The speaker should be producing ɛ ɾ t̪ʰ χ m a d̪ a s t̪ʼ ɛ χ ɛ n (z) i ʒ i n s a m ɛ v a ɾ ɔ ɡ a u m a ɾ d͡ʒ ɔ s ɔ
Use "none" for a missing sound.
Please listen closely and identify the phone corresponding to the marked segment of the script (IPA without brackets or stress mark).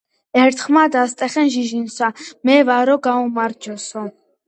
ʒ